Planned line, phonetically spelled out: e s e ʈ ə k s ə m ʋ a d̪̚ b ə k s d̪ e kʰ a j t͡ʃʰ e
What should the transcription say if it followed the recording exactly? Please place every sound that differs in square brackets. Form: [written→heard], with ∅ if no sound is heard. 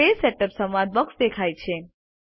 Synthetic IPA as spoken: e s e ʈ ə [k→p] s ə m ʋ a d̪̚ b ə k s d̪ e kʰ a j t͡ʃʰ e